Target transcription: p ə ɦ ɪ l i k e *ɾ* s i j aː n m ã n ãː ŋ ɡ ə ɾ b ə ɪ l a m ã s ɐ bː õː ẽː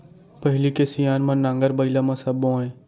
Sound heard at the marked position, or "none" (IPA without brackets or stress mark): none